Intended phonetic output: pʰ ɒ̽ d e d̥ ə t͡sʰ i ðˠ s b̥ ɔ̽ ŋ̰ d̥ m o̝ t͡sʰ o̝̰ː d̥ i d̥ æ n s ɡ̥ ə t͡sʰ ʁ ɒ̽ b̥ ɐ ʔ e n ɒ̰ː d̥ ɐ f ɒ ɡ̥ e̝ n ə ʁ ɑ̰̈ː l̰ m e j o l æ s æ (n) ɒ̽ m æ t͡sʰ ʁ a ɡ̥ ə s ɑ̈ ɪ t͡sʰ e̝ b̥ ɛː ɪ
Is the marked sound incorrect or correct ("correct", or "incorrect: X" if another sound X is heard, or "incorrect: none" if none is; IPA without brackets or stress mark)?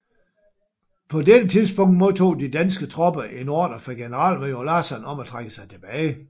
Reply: correct